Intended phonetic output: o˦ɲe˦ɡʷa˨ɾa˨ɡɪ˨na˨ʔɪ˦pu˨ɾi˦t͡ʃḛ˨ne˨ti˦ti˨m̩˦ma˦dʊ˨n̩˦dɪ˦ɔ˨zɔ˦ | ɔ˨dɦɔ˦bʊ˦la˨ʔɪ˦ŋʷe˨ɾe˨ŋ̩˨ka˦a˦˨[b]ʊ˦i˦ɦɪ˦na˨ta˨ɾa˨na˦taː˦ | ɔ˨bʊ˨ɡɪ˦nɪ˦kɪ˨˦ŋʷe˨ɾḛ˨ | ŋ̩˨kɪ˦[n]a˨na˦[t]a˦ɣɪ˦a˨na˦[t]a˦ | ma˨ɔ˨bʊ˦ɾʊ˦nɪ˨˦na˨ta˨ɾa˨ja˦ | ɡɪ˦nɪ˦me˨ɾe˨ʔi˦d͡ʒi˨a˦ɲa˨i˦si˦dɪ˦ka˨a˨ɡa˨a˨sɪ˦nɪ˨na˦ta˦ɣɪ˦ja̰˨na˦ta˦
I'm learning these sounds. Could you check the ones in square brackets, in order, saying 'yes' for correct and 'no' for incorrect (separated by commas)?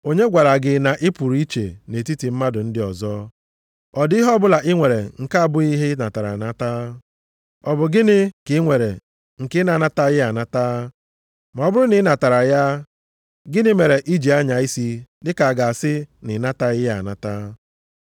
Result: yes, yes, yes, yes